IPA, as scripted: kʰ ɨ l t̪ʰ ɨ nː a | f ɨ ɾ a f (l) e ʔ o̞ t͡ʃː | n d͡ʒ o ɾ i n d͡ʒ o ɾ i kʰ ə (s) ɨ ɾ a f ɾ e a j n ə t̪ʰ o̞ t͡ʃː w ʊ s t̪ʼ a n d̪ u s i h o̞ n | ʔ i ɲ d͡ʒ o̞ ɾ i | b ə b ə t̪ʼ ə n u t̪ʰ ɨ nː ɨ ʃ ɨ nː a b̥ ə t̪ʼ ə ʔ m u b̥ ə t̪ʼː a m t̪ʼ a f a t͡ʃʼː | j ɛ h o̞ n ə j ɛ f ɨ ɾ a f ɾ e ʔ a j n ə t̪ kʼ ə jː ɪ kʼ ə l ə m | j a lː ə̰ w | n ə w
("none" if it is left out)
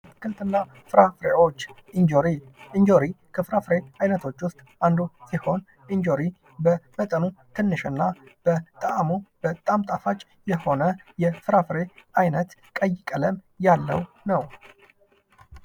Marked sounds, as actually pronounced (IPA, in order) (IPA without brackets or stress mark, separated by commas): ɾ, f